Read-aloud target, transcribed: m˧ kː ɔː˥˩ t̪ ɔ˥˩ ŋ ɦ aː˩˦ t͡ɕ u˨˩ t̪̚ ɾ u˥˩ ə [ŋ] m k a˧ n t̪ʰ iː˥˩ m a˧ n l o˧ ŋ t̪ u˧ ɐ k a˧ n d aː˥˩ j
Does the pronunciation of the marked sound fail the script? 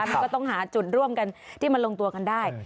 yes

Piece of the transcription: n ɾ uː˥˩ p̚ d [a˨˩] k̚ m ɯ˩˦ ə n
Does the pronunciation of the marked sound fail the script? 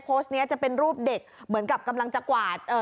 yes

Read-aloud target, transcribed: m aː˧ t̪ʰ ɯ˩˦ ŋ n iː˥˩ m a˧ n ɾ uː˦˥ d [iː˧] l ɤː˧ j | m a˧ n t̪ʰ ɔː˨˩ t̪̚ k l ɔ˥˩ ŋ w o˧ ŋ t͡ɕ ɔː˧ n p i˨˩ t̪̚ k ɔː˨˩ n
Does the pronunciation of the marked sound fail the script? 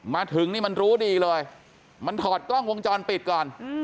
no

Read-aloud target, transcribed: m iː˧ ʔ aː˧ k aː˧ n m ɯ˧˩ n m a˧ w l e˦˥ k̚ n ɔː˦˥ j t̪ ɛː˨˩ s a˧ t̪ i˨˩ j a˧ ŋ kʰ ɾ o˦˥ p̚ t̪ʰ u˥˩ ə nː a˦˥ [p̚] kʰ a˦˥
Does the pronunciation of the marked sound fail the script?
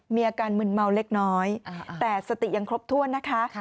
yes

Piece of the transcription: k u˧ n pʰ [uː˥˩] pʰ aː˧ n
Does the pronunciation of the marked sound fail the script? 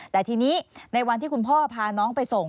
yes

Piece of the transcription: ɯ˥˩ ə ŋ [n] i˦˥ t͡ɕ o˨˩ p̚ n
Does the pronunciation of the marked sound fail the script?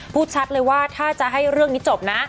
no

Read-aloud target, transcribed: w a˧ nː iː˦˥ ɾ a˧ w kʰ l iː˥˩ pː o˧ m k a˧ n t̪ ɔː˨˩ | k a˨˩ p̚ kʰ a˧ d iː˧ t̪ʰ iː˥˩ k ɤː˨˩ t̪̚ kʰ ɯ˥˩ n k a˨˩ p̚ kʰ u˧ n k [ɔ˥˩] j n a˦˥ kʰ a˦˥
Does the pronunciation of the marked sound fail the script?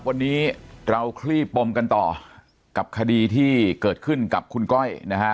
no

